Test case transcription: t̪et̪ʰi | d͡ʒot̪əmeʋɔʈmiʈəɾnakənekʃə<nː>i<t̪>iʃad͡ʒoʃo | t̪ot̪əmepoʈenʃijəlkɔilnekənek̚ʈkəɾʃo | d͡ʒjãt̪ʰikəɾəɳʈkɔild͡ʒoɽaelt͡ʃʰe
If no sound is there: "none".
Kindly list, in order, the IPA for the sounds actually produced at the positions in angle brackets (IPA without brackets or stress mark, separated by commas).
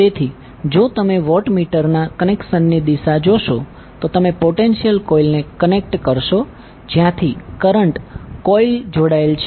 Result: nː, d̪